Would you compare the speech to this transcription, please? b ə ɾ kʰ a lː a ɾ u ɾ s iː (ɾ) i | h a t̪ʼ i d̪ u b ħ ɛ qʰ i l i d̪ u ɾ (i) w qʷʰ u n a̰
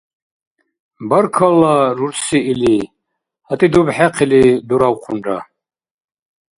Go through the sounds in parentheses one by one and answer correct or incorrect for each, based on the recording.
incorrect: l, incorrect: a

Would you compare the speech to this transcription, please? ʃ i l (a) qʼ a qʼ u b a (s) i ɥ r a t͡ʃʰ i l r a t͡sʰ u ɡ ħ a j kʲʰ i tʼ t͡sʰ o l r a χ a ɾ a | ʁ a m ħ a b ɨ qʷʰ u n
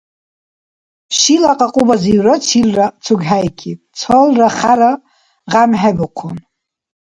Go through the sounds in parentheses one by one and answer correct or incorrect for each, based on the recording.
correct, incorrect: z

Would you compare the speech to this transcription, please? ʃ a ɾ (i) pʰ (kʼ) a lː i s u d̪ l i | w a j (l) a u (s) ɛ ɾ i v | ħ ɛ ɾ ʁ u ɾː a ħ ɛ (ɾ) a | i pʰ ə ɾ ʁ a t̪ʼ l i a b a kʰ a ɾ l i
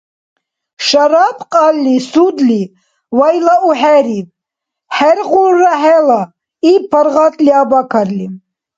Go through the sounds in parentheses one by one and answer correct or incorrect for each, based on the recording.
incorrect: a, incorrect: qʼ, correct, incorrect: ħ, incorrect: l

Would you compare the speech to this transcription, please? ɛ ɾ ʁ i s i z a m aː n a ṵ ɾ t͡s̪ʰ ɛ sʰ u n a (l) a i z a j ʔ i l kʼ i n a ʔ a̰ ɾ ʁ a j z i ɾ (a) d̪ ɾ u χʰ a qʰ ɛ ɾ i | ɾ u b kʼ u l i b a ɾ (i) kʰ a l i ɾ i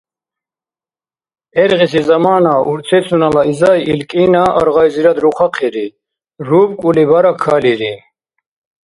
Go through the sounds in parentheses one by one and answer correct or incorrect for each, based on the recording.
correct, correct, incorrect: a

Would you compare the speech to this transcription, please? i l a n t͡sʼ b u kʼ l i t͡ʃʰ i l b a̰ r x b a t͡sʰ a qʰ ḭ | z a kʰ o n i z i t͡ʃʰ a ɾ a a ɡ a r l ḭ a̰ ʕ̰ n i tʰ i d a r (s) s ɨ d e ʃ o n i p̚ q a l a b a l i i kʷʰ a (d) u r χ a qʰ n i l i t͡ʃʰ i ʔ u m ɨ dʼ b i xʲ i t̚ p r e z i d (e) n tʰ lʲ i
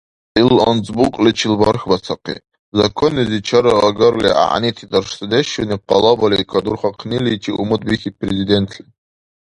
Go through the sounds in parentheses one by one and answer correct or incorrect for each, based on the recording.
incorrect: ʂ, correct, correct

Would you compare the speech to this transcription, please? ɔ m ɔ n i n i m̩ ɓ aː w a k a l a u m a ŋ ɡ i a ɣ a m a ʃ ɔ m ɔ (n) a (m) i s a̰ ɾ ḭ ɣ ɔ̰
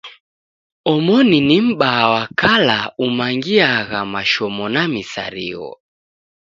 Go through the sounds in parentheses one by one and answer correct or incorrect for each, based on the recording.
correct, correct

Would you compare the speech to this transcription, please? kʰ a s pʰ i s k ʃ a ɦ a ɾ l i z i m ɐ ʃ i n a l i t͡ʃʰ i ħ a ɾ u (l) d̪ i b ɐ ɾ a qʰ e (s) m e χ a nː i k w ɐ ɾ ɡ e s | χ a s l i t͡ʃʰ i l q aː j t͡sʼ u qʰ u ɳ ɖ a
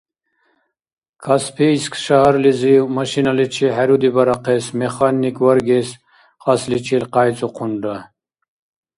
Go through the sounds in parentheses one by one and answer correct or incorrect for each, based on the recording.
incorrect: none, correct

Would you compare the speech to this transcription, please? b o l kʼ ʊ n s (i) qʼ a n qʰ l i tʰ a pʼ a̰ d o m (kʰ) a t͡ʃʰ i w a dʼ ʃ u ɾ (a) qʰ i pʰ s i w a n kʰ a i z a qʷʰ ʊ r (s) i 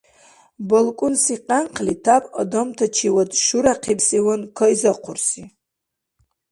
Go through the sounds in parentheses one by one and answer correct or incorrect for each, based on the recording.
correct, incorrect: tʰ, correct, correct

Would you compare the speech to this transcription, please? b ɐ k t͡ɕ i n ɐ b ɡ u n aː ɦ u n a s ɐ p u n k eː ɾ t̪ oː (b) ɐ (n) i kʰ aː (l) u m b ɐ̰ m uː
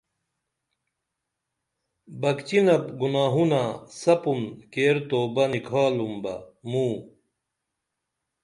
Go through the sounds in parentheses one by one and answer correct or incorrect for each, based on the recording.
correct, correct, correct

